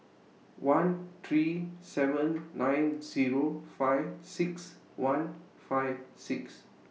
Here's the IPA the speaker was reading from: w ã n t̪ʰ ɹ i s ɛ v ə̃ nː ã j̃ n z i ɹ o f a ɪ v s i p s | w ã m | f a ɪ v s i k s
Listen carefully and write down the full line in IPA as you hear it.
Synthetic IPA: w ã n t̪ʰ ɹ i s ɛ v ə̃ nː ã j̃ n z i ɹ o f a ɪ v s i k s | w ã n | f a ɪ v s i k s